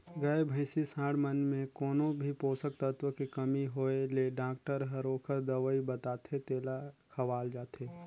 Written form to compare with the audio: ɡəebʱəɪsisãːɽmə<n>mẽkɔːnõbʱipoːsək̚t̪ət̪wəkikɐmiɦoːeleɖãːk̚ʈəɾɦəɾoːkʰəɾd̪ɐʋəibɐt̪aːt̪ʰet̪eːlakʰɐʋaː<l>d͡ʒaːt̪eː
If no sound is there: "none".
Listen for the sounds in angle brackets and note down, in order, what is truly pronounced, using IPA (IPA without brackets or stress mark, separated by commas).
n, l